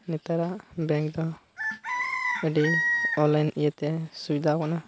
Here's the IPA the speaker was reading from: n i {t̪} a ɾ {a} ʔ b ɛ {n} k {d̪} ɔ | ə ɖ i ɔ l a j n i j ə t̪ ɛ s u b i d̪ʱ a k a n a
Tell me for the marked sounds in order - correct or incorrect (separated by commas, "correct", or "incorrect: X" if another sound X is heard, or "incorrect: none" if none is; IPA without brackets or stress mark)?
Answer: correct, correct, incorrect: ŋ, correct